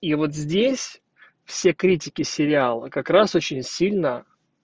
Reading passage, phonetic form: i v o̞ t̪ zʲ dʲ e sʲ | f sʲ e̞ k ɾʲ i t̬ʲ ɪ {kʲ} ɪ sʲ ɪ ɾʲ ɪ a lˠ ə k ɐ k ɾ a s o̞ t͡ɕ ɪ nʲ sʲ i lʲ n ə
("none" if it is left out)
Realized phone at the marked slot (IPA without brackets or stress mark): kʲ